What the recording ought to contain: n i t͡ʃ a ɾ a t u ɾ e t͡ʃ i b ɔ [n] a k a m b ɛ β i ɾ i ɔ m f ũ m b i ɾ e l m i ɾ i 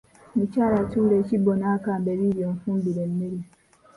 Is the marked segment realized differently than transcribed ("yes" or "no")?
no